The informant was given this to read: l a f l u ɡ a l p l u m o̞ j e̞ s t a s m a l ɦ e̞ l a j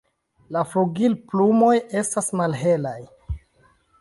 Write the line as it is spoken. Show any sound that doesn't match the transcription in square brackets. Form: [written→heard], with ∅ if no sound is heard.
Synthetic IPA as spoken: l a f l u ɡ [a→i] l p l u m o̞ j e̞ s t a s m a l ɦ e̞ l a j